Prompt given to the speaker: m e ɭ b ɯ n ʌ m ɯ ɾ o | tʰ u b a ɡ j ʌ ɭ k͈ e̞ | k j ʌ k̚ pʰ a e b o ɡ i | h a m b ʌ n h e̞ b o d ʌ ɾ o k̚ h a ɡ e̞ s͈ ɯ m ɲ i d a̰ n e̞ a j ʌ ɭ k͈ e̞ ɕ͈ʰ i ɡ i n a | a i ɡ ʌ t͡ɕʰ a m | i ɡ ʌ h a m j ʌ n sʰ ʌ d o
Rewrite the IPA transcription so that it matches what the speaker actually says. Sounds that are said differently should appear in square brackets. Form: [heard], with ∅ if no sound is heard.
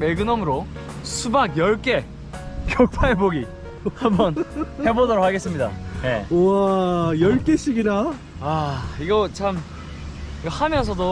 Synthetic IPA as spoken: m e ɭ [ɡ] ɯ n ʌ m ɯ ɾ o | [sʰ] u b a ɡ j ʌ ɭ k͈ e̞ | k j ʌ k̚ pʰ a e b o ɡ i | h a m b ʌ n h e̞ b o d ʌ ɾ o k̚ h a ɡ e̞ s͈ ɯ m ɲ i d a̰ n e̞ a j ʌ ɭ k͈ e̞ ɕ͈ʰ i ɡ i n a | a i ɡ ʌ t͡ɕʰ a m | i ɡ ʌ h a m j ʌ n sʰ ʌ d o